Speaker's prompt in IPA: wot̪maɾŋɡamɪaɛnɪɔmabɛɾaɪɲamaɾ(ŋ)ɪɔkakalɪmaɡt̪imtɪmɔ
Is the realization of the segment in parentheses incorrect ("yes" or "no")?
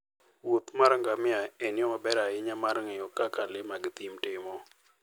no